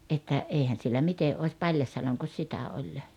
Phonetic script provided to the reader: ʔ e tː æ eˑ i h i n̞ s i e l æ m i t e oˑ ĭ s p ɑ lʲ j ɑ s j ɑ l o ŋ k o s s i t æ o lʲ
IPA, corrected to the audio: ʔ e tː æ eˑ i h æ n̞ s i e lː æ m i t e oˑ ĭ s p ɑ lʲ j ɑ s j ɑ l o ŋ k o s s i t æ o lʲ